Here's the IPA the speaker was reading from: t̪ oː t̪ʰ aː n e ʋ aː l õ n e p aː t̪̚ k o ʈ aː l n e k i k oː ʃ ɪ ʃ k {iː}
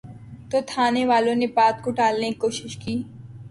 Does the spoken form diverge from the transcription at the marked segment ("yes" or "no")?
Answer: no